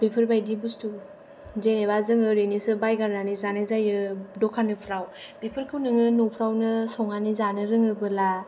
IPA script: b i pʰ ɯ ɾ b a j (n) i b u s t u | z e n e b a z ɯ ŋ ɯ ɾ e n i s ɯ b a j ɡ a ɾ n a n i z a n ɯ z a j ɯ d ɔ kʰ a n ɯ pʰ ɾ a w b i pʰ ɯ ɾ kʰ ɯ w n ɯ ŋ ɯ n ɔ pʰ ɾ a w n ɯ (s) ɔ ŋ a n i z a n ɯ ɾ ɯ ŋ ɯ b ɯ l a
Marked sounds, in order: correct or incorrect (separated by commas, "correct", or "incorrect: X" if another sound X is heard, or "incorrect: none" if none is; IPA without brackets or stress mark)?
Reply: incorrect: d, correct